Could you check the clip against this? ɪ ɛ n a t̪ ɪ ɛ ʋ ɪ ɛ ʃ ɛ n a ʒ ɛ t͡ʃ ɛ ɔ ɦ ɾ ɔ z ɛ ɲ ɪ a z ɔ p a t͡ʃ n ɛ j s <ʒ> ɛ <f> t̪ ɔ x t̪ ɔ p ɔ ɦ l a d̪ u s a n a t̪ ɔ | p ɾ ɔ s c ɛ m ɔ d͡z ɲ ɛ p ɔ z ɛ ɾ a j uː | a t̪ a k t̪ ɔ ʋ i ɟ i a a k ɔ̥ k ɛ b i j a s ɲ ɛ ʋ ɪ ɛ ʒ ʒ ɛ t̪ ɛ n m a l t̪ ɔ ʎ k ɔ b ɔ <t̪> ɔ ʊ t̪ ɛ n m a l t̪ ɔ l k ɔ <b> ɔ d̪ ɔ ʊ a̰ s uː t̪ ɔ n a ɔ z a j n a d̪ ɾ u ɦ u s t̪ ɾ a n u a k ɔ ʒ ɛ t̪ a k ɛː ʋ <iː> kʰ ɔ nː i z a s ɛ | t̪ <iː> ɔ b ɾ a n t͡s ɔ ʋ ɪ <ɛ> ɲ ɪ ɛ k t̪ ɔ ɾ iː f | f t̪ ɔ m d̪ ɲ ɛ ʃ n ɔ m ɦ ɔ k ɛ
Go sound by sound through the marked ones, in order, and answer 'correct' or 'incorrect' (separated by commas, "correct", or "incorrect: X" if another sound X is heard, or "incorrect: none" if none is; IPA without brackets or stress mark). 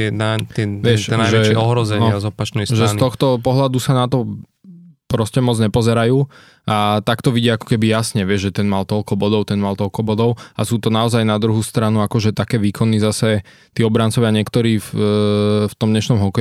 correct, incorrect: s, incorrect: d̪, correct, correct, correct, incorrect: a